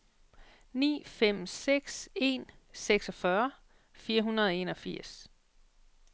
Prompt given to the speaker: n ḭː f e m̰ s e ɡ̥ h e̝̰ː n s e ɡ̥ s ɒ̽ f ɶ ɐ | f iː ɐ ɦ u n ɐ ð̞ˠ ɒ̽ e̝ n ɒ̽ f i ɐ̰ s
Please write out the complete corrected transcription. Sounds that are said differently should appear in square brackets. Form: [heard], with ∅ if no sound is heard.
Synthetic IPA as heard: n ḭː f e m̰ s e ɡ̥ [s] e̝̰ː n s e ɡ̥ s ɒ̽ f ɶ ɐ | f iː ɐ ɦ u n ɐ ð̞ˠ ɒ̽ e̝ n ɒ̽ f i ɐ̰ s